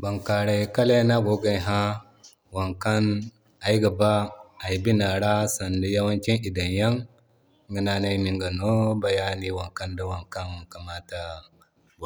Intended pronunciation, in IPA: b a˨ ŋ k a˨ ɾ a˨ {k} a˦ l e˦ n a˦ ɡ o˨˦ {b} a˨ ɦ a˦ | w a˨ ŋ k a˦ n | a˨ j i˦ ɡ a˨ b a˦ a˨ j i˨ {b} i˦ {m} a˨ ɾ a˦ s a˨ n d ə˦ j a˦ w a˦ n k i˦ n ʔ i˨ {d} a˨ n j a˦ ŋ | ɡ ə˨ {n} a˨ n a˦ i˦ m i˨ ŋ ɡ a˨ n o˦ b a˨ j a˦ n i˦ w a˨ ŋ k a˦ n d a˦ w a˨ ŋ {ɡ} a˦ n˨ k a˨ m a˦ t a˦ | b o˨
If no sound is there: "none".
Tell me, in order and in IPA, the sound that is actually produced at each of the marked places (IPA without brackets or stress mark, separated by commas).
k, ɡ, b, n, d, n, k